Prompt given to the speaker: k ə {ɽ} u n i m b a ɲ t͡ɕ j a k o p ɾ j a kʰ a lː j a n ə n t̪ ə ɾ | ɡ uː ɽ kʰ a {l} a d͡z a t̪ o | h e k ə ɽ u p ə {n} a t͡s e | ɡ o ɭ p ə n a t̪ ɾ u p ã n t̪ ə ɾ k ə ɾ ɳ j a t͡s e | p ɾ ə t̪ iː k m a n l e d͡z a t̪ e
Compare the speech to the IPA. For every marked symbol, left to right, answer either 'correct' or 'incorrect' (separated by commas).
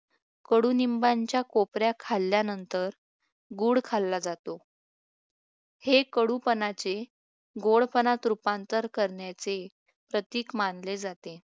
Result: correct, incorrect, correct